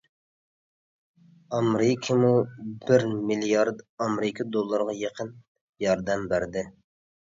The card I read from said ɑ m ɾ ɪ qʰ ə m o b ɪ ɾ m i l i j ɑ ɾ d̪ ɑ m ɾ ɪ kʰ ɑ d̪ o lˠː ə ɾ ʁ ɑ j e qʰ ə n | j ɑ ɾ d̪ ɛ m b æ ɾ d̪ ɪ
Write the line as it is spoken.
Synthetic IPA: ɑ m ɾ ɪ kʰ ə m u b ɪ ɾ m i l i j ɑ ɾ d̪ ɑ m ɾ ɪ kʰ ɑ d̪ o lˠː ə ɾ ʁ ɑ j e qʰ ə n | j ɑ ɾ d̪ ɛ m b æ ɾ d̪ ɪ